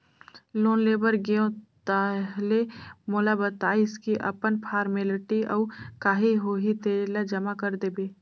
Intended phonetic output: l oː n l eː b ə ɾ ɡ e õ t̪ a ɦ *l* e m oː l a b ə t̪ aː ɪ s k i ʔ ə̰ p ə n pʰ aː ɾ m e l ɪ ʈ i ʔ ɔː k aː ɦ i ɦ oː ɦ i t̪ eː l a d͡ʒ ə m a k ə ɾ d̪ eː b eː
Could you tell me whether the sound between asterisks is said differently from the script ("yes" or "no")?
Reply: no